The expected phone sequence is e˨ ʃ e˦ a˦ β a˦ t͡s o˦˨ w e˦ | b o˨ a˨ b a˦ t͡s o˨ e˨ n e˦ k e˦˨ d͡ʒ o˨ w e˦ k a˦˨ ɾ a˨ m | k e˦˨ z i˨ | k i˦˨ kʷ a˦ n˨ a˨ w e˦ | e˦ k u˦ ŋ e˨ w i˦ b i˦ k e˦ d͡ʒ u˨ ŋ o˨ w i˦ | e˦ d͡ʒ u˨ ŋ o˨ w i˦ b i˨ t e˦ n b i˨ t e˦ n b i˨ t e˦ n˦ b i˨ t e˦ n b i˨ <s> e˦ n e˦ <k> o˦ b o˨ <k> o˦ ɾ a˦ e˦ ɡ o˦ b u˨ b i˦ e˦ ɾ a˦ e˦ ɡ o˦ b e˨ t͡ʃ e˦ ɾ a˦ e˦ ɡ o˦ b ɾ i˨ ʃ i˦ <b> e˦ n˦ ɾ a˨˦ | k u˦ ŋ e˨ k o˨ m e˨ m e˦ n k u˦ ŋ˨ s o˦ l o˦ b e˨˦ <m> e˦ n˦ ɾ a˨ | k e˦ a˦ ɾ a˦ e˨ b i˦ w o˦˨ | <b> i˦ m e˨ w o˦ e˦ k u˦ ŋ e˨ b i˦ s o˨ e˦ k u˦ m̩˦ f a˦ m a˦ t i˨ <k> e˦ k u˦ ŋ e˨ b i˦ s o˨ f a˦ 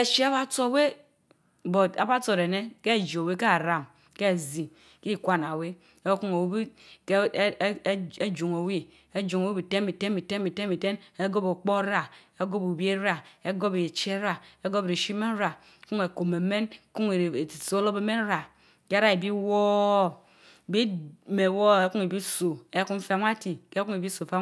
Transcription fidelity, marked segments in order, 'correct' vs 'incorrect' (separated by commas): incorrect, incorrect, incorrect, incorrect, correct, correct, correct